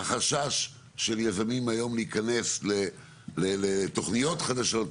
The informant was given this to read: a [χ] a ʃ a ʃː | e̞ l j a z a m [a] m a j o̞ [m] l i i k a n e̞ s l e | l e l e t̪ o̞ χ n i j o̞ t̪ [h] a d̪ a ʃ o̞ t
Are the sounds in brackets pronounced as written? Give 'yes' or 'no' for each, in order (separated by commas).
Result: yes, no, yes, no